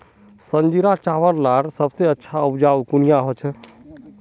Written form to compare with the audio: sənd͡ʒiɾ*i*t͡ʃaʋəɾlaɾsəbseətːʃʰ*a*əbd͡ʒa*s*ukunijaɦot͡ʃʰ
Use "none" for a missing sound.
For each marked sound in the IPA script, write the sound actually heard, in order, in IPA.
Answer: a, a, none

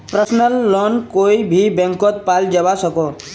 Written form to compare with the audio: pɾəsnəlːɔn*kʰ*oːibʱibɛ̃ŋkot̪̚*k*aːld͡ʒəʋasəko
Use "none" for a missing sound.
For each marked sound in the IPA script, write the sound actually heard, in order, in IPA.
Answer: k, p

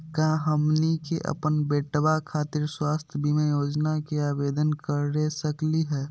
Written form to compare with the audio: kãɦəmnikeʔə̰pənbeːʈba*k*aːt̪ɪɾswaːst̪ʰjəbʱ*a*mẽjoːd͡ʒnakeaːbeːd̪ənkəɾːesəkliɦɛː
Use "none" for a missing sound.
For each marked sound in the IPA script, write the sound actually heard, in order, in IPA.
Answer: kʰ, i

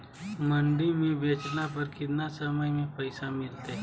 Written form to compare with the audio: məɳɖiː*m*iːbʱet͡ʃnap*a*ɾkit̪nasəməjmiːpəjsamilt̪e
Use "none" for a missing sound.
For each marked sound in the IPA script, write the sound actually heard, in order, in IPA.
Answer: m, ə

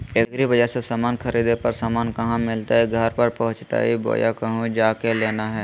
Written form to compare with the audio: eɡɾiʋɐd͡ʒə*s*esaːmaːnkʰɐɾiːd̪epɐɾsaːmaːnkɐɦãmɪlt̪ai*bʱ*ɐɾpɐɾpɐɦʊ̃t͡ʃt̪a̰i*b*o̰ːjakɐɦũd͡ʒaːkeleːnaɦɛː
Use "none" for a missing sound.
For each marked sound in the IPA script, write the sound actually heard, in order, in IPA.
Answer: s, ɡʱ, b

